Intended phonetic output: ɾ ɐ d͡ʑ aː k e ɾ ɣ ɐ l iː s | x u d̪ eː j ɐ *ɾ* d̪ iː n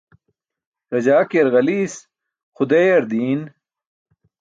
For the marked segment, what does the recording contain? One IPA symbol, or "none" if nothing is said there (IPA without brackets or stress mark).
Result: ɾ